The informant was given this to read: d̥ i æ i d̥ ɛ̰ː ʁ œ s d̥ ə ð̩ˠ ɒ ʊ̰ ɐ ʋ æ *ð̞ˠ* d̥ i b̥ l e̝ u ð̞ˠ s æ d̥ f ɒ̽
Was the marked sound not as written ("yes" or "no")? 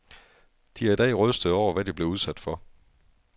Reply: yes